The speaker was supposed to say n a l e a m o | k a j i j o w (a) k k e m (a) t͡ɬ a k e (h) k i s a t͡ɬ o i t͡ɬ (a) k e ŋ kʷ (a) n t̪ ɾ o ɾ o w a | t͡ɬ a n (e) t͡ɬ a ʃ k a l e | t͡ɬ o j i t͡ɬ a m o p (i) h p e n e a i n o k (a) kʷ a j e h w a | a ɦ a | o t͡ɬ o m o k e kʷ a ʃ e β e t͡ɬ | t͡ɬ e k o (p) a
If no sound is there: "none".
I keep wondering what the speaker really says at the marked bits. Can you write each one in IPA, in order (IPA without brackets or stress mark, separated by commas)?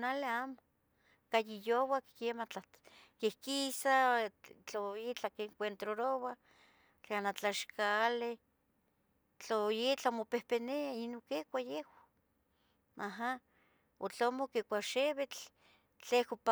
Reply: a, a, h, a, e, a, e, e, p